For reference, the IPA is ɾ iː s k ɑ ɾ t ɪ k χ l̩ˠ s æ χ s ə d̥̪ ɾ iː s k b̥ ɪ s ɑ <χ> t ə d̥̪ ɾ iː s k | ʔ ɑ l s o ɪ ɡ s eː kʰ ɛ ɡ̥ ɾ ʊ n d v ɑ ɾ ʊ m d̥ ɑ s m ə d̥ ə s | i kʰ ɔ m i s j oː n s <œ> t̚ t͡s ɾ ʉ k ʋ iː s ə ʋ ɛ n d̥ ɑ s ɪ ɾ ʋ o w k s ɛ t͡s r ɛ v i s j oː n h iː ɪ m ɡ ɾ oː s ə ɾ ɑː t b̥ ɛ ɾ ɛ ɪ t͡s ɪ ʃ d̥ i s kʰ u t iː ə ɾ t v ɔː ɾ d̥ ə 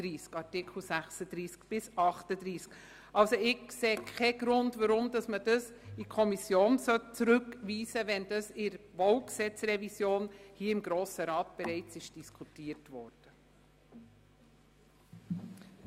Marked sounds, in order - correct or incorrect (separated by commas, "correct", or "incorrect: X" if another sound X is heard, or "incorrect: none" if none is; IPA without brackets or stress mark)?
correct, correct